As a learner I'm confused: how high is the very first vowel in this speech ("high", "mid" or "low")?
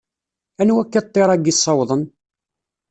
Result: low